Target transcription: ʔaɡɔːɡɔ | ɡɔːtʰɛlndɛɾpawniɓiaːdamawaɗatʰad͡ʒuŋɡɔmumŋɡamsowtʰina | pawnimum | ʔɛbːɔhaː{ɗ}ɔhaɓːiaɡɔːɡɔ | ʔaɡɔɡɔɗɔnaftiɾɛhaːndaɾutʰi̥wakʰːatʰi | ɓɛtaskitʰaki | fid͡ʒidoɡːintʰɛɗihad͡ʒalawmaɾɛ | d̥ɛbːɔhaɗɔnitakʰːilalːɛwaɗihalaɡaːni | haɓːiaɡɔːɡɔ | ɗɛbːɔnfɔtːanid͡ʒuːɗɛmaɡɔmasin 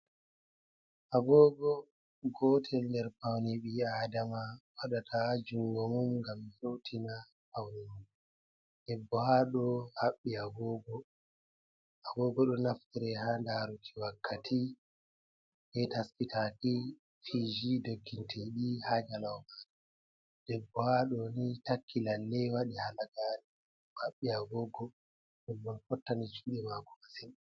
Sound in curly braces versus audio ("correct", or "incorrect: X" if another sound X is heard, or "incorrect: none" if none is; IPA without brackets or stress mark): correct